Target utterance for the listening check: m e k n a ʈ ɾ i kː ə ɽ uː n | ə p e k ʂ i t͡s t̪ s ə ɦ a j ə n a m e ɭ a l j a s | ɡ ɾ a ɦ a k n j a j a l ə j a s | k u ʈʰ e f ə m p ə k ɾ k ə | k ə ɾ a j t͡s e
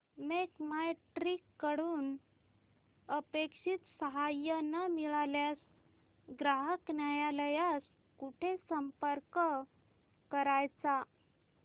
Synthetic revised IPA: m e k m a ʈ ɾ i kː ə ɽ uː n | ə p e k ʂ i t̪ s ə ɦ a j ə n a m i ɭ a l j a s | ɡ ɾ a ɦ ə k n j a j a l ə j a s | k u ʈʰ e s ə m p ə ɾ k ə | k ə ɾ a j t͡s a